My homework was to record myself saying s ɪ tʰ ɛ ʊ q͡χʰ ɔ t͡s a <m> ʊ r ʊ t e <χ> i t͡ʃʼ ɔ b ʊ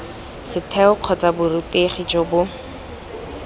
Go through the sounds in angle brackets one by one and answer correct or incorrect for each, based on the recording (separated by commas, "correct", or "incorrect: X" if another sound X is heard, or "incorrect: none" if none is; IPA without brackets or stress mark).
incorrect: b, correct